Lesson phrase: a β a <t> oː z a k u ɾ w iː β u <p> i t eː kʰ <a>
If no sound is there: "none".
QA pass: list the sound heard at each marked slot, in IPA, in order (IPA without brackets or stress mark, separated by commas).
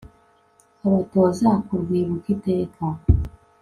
t, k, a